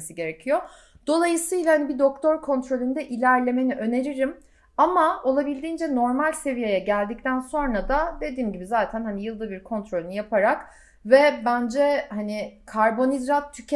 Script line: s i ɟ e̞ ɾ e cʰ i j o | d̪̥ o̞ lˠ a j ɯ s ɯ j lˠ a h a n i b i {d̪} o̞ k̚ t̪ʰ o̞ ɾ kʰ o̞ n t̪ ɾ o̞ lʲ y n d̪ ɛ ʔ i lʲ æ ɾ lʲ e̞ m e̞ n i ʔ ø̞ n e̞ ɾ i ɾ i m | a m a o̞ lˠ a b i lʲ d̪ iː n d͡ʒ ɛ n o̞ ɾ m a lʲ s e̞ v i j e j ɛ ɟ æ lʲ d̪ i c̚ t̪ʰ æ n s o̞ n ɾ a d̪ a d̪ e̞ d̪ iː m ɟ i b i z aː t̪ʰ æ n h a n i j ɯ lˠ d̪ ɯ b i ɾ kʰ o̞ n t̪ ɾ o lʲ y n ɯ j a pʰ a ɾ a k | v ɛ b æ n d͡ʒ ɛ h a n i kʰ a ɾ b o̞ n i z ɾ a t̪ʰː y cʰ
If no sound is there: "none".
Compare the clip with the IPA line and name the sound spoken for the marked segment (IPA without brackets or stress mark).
d̪